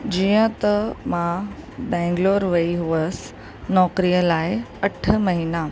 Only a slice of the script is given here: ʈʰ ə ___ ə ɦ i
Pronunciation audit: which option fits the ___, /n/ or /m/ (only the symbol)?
m